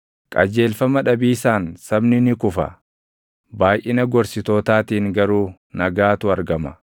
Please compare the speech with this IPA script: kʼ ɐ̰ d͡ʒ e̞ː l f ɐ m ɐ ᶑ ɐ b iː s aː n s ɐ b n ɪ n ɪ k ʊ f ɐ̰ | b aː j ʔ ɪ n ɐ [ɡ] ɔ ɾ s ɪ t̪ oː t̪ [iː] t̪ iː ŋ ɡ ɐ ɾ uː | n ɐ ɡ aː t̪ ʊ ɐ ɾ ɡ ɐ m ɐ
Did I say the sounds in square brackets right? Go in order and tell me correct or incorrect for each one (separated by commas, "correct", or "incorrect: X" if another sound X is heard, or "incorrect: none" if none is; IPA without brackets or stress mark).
correct, incorrect: aː